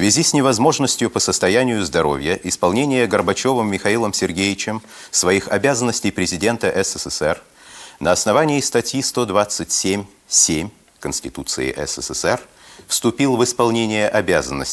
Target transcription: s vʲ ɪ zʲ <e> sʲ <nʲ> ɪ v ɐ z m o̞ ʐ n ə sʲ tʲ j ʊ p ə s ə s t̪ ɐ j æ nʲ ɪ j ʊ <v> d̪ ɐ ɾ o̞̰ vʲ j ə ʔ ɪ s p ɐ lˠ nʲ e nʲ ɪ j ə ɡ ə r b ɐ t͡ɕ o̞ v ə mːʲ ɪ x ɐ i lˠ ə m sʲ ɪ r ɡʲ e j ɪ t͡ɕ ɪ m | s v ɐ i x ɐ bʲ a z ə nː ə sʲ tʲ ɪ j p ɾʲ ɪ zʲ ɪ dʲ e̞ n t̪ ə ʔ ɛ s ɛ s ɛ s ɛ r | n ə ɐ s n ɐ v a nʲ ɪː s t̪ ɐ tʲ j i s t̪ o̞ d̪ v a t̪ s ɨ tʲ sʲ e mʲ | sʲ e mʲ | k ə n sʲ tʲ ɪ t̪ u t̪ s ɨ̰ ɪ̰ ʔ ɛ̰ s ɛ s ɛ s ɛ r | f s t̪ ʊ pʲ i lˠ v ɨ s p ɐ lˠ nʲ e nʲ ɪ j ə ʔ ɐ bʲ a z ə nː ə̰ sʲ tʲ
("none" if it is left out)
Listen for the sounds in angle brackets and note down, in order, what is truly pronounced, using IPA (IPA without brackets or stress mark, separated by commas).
i, nʲ, z